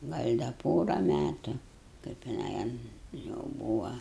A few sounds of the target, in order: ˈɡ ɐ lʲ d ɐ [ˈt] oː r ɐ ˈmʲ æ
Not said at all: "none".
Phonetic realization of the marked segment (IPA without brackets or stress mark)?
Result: p